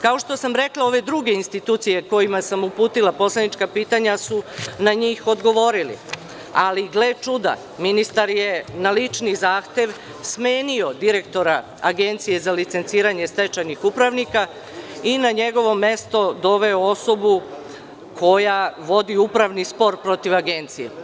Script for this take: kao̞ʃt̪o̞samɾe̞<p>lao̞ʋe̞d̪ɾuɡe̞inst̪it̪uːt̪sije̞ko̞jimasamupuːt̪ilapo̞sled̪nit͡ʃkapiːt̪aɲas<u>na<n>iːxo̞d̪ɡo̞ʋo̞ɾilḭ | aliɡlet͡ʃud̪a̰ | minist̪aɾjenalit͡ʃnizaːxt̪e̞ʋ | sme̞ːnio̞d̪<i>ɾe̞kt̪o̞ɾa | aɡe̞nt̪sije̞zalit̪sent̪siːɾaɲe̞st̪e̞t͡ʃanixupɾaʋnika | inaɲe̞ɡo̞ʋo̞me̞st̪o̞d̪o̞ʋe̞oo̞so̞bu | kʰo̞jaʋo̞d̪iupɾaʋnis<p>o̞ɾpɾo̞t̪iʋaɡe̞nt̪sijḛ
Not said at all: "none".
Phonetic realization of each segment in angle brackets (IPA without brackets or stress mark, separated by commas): k, u, ɲ, i, p